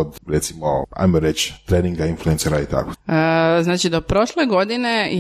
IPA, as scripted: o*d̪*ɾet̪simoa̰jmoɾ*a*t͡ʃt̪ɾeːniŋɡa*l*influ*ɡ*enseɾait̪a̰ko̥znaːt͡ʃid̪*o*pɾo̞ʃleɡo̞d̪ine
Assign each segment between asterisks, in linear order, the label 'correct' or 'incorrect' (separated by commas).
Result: correct, incorrect, incorrect, incorrect, correct